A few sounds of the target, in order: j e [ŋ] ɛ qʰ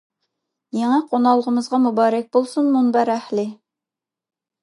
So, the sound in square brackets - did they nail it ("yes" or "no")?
yes